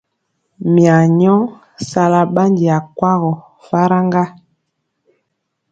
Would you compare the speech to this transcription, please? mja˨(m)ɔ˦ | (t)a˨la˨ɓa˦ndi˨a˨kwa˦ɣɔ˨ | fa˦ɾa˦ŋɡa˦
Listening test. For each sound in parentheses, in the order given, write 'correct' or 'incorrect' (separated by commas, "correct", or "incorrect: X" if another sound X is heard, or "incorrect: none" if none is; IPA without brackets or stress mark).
incorrect: ɲ, incorrect: s